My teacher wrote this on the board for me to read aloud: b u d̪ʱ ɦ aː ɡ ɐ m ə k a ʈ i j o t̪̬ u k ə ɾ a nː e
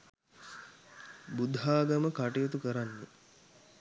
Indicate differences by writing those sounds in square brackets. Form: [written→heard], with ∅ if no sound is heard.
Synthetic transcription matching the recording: b u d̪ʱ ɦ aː ɡ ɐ m ə k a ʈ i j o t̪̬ u k ə ɾ a nː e